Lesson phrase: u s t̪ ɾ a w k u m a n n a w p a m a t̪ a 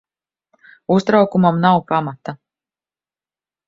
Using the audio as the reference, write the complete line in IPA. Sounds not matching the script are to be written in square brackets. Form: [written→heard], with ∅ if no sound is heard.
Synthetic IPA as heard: u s t̪ ɾ a w k u m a [n→m] n a w p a m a t̪ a